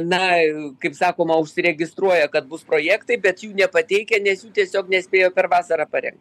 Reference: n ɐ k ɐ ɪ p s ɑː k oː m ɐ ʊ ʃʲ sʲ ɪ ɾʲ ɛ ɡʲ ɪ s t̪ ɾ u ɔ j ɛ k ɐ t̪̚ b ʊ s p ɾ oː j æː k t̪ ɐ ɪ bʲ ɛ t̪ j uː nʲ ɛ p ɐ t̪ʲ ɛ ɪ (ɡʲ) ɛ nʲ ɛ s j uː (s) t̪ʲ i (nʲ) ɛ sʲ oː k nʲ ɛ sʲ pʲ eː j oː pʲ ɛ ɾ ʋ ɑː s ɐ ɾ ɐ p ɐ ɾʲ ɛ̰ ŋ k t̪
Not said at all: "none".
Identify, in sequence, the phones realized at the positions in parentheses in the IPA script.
kʲ, none, none

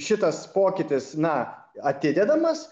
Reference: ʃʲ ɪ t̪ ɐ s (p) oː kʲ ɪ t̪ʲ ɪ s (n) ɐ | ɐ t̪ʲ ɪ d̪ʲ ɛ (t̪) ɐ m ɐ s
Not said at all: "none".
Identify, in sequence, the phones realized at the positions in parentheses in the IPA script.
p, n, d̪

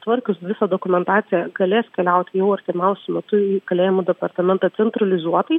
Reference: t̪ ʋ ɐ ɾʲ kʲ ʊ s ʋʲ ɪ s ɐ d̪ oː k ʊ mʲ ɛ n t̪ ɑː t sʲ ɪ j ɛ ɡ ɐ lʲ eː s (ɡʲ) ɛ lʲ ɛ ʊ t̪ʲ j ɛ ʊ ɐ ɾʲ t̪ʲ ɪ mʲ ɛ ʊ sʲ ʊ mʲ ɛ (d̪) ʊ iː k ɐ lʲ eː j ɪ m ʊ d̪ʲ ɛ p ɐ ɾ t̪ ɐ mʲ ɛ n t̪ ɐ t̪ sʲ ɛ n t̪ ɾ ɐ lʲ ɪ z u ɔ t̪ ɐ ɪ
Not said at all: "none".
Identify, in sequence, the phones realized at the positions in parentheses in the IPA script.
kʲ, t̪

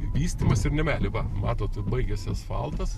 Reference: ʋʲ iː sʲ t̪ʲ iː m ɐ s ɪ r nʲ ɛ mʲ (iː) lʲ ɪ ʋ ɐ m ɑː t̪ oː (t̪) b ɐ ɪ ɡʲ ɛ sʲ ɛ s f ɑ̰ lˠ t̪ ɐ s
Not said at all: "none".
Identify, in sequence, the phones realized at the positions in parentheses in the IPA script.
æː, t̪

